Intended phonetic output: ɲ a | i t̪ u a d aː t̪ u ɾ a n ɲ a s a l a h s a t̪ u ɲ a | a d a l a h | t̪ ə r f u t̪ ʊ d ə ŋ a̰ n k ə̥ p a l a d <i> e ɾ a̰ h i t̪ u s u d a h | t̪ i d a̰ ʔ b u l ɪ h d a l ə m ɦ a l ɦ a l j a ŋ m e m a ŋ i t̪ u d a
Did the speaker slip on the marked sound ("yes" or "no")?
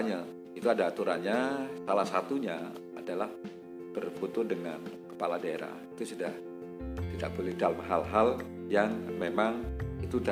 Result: yes